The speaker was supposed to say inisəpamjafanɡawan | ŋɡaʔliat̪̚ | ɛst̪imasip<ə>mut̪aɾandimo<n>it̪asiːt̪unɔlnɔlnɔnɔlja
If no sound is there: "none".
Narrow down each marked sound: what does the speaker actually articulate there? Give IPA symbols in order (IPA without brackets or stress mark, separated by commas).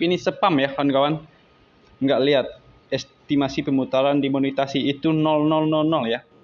ə, n